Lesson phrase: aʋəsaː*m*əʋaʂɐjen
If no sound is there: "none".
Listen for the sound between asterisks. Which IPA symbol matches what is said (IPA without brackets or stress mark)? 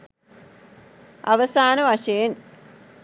n